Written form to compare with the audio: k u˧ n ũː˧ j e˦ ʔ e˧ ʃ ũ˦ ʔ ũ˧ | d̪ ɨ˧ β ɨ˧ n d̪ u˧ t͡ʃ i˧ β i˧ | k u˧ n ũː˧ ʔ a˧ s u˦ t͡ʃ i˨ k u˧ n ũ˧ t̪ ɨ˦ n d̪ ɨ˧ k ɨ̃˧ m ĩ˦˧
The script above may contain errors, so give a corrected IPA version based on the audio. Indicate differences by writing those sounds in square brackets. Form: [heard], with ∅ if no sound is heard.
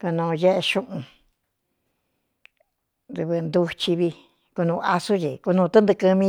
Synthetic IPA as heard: k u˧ n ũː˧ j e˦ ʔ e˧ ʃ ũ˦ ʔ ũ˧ | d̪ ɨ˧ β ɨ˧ n d̪ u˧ t͡ʃ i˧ β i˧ | k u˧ n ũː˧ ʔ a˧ s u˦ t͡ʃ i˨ k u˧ n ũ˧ t̪ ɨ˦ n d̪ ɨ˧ k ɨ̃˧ m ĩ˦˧